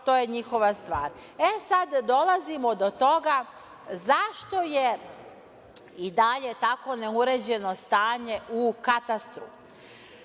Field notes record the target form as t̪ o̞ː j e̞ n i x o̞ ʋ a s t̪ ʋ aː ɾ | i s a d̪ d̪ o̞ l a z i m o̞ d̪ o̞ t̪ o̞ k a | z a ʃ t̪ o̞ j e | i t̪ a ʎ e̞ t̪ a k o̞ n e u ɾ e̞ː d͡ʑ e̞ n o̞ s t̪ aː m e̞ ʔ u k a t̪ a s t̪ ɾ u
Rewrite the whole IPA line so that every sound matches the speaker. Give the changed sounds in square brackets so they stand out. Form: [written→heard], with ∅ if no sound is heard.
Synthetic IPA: t̪ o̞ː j e̞ [n→ɲ] i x o̞ ʋ a s t̪ ʋ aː ɾ | [i→e] s a d̪ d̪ o̞ l a z i m o̞ d̪ o̞ t̪ o̞ [k→ɡ] a | z a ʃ t̪ o̞ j e | i [t̪→d̪] a ʎ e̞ t̪ a k o̞ n e u ɾ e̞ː d͡ʑ e̞ n o̞ s t̪ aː [m→ɲ] e̞ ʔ u k a t̪ a s t̪ ɾ u